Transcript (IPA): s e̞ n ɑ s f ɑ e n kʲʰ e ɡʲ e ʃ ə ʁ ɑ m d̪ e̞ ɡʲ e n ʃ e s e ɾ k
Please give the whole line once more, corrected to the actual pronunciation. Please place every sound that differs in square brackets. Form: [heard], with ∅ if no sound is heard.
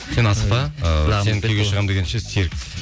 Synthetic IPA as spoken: s e̞ n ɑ s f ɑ e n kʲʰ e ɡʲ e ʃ ə ʁ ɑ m d̪ e̞ ɡʲ e n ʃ e s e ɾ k